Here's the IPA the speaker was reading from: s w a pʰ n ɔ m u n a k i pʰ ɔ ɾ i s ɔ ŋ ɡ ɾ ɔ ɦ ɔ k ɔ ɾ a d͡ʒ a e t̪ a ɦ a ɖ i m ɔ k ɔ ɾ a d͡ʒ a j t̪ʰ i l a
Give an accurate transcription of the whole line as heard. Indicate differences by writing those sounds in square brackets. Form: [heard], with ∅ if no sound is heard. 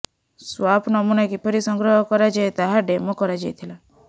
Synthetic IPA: s w a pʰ n ɔ m u n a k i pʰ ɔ ɾ i s ɔ ŋ ɡ ɾ ɔ ɦ ɔ k ɔ ɾ a d͡ʒ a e t̪ a ɦ a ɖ [e] m ɔ k ɔ ɾ a d͡ʒ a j t̪ʰ i l a